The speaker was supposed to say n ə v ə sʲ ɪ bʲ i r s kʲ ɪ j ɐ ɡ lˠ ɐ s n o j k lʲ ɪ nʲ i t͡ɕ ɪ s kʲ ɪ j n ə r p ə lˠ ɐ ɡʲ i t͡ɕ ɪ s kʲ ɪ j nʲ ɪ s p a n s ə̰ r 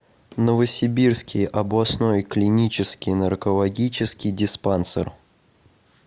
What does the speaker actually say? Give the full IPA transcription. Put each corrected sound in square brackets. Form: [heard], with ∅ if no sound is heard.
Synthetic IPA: n ə v ə sʲ ɪ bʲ i r s kʲ ɪ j ɐ [b] lˠ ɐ s n o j k lʲ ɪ nʲ i t͡ɕ ɪ s kʲ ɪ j n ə r [k] ə lˠ ɐ ɡʲ i t͡ɕ ɪ s kʲ ɪ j [dʲ] ɪ s p a n s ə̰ r